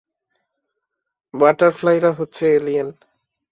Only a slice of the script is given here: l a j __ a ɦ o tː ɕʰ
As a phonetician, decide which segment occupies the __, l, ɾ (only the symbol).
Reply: ɾ